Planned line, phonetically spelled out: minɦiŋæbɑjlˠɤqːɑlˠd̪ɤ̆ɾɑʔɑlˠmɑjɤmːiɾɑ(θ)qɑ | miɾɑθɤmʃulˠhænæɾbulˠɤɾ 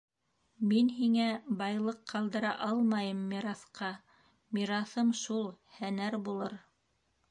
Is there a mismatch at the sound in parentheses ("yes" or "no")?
no